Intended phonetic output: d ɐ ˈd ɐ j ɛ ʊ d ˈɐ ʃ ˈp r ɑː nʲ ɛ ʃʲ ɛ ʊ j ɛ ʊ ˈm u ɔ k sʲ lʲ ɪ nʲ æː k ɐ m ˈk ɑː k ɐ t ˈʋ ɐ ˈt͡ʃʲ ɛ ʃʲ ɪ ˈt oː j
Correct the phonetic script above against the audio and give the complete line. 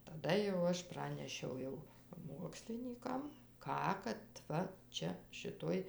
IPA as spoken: t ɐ ˈd ɐ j ɛ ʊ ˈɐ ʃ ˈp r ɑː nʲ ɛ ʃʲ ɛ ʊ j ɛ ʊ ˈm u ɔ k sʲ lʲ ɪ nʲ iː k ɐ m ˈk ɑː k ɐ t ˈʋ ɐ ˈt͡ʃʲ ɛ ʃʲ ɪ ˈt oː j